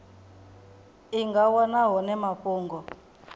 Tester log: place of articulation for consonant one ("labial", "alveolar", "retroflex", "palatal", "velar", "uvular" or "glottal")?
velar